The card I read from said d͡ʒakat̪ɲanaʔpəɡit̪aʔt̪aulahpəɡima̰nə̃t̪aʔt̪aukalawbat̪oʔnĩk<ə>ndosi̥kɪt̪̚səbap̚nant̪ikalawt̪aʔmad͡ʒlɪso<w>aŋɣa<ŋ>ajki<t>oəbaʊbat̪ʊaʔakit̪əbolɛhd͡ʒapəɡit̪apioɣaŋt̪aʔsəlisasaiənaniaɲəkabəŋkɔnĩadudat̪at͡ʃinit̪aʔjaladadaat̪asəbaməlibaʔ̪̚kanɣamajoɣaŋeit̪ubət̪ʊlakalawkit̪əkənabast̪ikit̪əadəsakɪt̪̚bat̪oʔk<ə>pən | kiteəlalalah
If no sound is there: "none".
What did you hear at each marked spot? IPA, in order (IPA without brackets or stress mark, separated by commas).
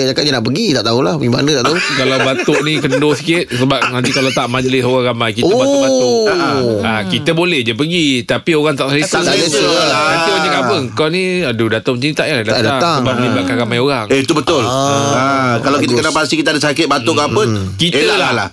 ə, ɣ, m, t, a